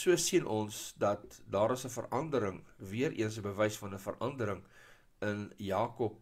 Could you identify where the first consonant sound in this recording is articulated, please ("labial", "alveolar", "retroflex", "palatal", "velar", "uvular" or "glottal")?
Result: alveolar